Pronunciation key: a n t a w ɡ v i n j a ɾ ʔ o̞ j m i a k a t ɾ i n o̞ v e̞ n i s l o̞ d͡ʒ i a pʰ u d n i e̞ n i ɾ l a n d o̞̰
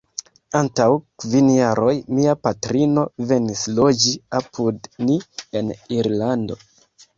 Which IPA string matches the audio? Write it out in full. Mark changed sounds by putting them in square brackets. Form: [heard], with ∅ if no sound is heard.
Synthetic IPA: a n t a w [k] v i n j a ɾ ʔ o̞ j m i a [p] a t ɾ i n o̞ v e̞ n i s l o̞ d͡ʒ i a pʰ u d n i e̞ n i ɾ l a n d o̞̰